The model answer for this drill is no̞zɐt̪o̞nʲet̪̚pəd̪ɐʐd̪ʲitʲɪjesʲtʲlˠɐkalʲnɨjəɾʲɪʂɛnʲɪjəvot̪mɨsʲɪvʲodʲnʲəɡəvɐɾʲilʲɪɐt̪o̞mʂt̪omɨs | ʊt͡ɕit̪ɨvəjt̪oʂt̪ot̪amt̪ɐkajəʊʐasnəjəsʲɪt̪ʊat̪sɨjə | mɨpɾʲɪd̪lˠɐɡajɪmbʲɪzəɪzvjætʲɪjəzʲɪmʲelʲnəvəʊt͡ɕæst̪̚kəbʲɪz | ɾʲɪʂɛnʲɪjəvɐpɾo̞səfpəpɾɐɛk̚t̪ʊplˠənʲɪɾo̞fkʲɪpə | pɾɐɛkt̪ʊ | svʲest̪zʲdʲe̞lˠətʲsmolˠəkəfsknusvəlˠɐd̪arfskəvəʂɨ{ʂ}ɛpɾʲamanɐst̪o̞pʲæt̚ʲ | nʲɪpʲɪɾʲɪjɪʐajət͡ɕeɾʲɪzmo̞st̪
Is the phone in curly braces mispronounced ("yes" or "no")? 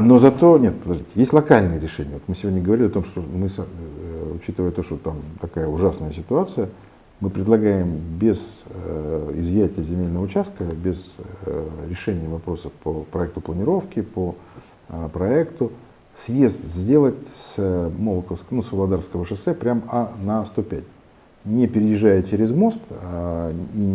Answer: yes